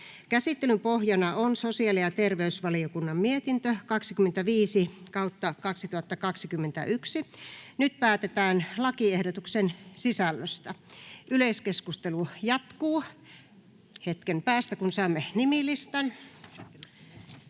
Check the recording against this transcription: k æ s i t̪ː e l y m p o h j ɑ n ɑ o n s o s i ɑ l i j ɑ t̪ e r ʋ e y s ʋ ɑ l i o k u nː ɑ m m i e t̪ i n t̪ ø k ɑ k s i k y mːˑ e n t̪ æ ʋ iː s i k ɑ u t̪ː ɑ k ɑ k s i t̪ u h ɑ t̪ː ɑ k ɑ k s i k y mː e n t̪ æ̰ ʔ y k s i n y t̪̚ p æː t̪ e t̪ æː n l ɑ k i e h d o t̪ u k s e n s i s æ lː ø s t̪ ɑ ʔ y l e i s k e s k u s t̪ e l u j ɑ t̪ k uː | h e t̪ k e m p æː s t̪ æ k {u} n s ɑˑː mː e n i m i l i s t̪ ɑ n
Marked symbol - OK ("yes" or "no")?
yes